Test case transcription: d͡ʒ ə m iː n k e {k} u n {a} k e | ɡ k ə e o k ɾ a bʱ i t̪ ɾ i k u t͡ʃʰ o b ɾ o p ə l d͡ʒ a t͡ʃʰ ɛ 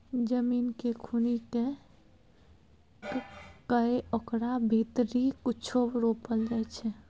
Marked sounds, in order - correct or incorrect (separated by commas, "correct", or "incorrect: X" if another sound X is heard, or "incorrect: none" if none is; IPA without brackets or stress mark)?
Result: incorrect: kʰ, incorrect: i